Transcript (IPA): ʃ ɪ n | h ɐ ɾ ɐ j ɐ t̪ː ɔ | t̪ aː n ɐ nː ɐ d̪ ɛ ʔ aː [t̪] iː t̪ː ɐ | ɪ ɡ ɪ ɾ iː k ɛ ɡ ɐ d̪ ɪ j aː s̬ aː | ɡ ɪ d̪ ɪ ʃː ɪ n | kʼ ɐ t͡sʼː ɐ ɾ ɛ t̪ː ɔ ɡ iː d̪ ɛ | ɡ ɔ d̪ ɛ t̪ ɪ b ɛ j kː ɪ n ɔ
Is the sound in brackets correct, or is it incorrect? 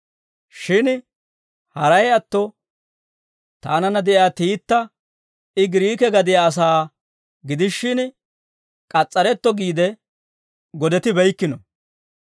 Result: correct